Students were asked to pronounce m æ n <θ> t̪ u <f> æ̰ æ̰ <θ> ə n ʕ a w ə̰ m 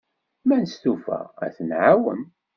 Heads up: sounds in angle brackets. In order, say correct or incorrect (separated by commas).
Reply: incorrect, correct, correct